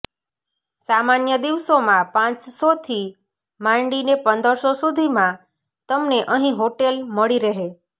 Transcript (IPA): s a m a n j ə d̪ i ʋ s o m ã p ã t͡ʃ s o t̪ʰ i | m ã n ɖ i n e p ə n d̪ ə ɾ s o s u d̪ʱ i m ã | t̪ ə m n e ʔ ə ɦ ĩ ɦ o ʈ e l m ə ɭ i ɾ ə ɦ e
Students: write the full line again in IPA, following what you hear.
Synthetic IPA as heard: s a m a n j ə d̪ i ʋ s o m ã p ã t͡ʃ s o t̪ʰ i | m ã ɳ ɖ i n e p ə n d̪ ə ɾ s o s u d̪ʱ i m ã | t̪ ə m n e ʔ ə ɦ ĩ ɦ o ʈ e l m ə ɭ i ɾ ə ɦ e